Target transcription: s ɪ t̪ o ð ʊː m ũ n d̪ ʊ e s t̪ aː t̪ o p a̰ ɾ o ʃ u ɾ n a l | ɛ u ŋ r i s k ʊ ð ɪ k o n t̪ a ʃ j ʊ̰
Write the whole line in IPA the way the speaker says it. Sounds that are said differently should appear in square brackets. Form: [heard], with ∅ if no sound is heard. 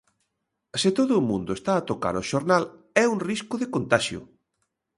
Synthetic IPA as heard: s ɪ t̪ o ð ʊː m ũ n d̪ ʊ e s t̪ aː t̪ o [k] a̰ ɾ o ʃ [o] ɾ n a l | ɛ u ŋ r i s k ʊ ð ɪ k o n t̪ a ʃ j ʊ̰